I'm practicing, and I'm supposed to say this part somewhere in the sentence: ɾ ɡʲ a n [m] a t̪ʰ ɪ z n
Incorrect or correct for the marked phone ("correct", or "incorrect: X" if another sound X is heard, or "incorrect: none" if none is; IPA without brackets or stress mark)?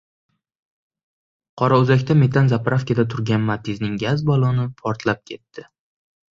correct